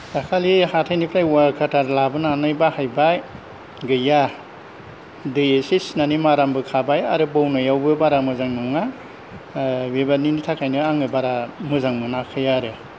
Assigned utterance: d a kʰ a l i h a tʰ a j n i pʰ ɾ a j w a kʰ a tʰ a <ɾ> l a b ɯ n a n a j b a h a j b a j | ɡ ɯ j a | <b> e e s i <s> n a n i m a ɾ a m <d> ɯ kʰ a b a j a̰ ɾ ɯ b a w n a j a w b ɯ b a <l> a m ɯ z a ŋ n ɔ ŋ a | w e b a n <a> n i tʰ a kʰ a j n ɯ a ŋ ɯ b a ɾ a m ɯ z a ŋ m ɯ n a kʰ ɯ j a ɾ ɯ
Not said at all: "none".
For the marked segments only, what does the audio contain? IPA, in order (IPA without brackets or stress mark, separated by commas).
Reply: ɾ, d, s, b, ɾ, i